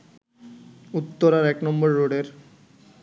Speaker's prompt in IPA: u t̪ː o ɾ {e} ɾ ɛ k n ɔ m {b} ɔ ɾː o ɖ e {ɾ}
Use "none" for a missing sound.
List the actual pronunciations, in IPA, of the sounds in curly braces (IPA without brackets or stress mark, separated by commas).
a, b, ɾ